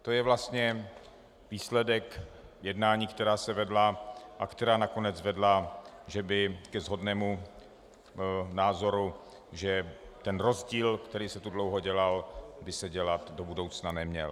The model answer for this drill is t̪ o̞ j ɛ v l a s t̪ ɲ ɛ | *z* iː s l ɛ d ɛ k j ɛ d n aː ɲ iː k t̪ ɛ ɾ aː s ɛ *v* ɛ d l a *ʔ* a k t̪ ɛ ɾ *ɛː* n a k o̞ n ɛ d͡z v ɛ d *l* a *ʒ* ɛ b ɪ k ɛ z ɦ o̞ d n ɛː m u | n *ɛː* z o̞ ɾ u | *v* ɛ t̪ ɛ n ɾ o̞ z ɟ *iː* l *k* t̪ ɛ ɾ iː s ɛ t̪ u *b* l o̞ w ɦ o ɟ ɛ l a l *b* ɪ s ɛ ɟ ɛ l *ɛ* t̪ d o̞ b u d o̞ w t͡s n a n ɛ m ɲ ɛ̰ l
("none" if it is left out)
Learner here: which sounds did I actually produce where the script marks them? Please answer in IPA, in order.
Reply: v, v, ʔ, aː, l, ʒ, aː, ʒ, iː, k, d, b, a

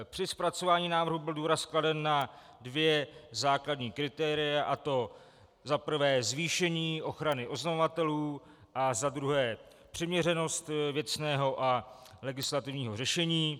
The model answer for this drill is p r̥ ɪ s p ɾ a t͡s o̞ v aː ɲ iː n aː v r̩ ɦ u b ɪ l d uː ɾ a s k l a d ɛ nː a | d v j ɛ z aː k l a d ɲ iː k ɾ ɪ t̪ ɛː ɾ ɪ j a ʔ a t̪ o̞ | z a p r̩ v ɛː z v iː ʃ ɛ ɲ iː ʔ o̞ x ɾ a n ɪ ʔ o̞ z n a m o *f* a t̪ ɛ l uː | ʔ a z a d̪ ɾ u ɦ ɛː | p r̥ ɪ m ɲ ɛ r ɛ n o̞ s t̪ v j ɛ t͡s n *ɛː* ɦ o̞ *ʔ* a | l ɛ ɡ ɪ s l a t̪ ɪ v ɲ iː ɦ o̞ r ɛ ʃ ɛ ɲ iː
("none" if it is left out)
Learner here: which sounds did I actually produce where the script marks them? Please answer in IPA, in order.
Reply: v, ɛː, ʔ

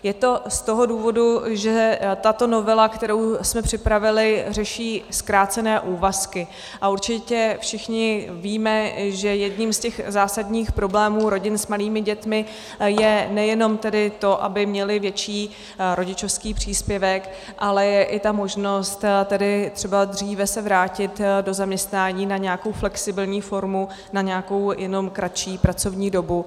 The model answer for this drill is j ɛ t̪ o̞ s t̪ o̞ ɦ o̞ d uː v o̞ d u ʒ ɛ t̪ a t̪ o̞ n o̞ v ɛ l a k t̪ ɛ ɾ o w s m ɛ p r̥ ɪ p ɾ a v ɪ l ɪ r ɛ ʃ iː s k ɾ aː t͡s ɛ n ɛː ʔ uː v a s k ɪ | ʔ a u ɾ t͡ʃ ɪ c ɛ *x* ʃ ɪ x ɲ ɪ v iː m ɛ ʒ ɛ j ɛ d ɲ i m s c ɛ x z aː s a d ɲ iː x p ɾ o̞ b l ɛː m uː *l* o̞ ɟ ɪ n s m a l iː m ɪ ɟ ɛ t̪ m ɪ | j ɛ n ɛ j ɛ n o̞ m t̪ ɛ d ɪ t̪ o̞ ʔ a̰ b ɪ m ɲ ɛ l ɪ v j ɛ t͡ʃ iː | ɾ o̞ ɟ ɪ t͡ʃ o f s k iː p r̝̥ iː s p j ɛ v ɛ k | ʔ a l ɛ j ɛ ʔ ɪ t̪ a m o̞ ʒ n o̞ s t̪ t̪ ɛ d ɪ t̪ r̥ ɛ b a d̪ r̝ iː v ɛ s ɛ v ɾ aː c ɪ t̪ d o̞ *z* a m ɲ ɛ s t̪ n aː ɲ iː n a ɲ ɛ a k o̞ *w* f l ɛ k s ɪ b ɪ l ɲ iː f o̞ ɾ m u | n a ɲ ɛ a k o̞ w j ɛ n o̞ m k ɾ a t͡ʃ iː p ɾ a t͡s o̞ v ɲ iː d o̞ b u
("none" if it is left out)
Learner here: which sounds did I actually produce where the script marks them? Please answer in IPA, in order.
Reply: f, ɾ, z, w

